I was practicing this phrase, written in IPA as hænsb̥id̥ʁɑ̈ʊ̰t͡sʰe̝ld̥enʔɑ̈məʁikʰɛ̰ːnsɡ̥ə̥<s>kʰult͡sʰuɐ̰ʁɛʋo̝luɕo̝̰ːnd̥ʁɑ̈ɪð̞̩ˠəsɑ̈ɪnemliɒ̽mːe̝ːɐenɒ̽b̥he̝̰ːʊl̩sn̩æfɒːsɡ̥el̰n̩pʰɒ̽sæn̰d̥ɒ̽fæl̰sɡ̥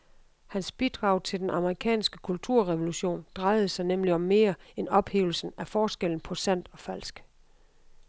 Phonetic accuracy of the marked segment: incorrect: none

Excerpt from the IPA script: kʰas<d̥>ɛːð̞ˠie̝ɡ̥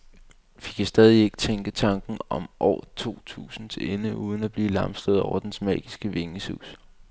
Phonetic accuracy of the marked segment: correct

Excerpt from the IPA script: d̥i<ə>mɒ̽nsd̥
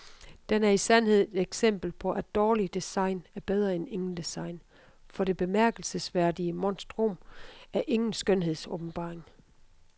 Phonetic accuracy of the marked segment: correct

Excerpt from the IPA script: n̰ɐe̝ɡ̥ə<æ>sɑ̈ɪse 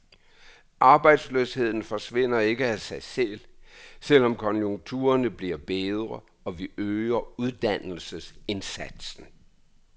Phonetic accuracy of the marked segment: correct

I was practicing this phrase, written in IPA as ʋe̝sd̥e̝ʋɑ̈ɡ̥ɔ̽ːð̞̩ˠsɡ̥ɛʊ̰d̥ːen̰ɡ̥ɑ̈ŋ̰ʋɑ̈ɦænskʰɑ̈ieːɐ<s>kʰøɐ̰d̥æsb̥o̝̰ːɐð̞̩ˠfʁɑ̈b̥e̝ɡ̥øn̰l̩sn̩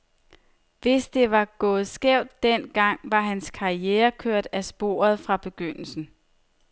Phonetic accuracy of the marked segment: incorrect: none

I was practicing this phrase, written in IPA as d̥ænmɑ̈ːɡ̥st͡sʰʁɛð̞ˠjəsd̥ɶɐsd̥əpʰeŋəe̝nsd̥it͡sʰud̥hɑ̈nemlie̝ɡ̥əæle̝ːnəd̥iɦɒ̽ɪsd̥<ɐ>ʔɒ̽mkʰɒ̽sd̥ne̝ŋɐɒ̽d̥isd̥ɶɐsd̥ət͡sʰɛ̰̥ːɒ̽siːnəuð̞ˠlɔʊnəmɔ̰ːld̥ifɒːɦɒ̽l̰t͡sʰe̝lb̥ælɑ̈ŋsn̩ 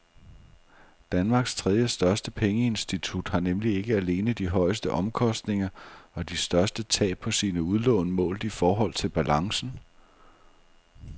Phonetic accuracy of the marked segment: incorrect: ə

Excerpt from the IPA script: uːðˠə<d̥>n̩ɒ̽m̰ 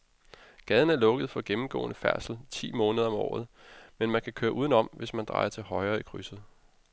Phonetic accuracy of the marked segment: incorrect: none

